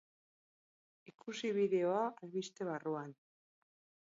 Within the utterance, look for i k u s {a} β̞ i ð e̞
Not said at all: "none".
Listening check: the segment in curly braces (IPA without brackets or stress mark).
i